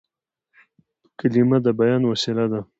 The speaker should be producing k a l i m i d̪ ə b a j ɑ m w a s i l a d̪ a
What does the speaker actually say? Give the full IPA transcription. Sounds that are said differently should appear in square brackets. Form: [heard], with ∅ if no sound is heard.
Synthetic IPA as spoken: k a l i m [a] d̪ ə b a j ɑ [n] w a s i l a d̪ a